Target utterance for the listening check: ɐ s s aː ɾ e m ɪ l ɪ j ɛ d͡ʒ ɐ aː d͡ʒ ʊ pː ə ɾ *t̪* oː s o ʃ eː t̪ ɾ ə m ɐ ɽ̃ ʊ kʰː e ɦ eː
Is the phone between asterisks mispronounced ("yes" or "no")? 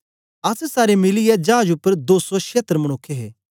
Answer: yes